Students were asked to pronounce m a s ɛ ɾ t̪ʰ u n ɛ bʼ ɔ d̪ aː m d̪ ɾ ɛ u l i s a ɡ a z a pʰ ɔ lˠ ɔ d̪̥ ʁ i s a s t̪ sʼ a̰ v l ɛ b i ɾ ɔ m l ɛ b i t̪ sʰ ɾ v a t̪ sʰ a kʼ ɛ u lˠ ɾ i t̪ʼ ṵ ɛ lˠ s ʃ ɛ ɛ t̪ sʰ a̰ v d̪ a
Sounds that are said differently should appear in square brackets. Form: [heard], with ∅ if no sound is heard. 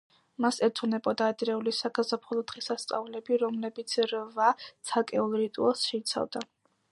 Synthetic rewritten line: m a s ɛ ɾ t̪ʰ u n ɛ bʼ ɔ d̪ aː [∅] d̪ ɾ ɛ u l i s a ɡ a z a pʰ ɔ lˠ ɔ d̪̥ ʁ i s a s t̪ sʼ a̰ v l ɛ b i ɾ ɔ m l ɛ b i t̪ sʰ ɾ v a t̪ sʰ a kʼ ɛ u lˠ ɾ i t̪ʼ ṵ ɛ lˠ s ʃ ɛ [i] t̪ sʰ a̰ v d̪ a